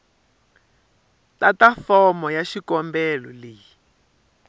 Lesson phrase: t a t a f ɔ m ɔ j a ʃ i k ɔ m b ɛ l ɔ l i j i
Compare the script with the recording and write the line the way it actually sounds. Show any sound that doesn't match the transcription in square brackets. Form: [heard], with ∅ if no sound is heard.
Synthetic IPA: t a t a f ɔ m ɔ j a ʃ i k ɔ m b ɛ l ɔ l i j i